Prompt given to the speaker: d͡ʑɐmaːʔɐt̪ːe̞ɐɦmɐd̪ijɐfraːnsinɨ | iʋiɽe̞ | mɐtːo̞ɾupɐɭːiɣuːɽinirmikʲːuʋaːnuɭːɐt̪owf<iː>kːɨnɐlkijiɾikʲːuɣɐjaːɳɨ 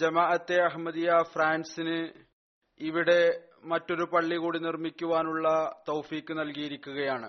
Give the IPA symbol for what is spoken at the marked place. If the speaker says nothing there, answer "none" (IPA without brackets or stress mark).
iː